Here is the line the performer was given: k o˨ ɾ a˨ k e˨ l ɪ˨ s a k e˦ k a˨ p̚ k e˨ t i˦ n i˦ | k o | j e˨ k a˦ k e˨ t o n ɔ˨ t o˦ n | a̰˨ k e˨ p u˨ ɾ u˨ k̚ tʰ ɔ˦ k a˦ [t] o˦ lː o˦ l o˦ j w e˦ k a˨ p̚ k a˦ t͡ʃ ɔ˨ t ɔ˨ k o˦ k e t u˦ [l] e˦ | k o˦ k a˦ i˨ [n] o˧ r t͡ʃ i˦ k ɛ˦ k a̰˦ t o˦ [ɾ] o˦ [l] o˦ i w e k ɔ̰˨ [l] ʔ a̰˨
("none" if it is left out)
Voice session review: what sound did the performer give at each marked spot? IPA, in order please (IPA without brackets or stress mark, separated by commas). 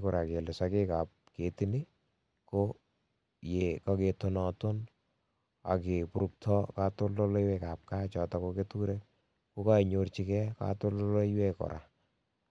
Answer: t, ɾ, ɲ, l, l, ɾ